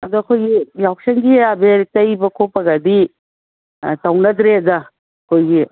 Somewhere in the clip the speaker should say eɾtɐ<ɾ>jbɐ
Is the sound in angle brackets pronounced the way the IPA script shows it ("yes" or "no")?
no